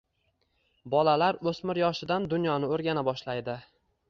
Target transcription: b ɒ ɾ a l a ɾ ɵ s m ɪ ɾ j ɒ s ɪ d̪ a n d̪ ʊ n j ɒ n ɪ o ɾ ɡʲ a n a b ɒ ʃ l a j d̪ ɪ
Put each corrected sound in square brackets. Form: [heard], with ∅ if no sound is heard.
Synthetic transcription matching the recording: b ɒ [l] a l a ɾ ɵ s m ɪ ɾ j ɒ [ʃ] ɪ d̪ a n d̪ ʊ n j ɒ n ɪ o ɾ ɡʲ a n a b ɒ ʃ l a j d̪ ɪ